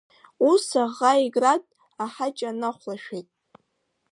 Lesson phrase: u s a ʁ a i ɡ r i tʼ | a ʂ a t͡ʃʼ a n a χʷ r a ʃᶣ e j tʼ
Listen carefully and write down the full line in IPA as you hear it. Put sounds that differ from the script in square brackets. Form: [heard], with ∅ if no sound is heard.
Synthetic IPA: u s a ʁ a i ɡ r [a] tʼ | a [ħ] a t͡ʃʼ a n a χʷ [l] a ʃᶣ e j tʼ